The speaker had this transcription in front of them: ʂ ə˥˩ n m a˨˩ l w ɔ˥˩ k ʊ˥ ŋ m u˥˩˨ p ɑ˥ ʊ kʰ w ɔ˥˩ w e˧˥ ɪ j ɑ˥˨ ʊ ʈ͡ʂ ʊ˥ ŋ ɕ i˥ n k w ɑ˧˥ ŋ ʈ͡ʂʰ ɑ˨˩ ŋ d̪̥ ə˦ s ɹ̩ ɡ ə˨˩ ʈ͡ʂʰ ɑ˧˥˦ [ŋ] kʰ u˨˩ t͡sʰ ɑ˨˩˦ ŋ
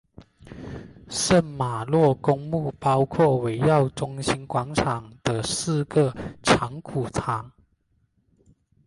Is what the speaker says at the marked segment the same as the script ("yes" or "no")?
yes